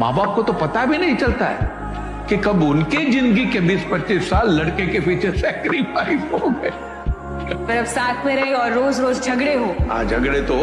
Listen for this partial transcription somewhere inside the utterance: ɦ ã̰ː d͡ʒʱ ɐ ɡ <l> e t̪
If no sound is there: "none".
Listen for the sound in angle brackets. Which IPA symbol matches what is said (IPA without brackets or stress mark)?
ɽ